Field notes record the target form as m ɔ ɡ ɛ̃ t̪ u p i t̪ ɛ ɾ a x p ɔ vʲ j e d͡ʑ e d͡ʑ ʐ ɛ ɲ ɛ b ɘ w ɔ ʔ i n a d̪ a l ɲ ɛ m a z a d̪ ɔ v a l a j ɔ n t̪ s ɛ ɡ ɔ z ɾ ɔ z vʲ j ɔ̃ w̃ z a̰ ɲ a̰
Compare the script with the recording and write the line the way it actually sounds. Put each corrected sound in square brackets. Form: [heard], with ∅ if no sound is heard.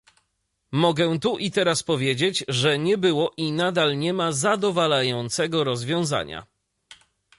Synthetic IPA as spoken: m ɔ ɡ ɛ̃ t̪ u [ʔ] i t̪ ɛ ɾ a [s] p ɔ vʲ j e d͡ʑ e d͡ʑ ʐ ɛ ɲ ɛ b ɘ w ɔ ʔ i n a d̪ a l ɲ ɛ m a z a d̪ ɔ v a l a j ɔ n t̪ s ɛ ɡ ɔ [∅] ɾ ɔ z vʲ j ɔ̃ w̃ z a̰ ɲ a̰